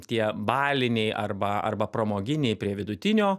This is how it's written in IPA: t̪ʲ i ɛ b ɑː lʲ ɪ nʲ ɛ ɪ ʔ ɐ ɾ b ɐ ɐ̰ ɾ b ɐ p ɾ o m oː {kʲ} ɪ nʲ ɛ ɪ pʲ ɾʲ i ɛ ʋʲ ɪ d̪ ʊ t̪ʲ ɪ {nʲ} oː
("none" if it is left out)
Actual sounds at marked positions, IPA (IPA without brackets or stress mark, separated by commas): ɡʲ, nʲ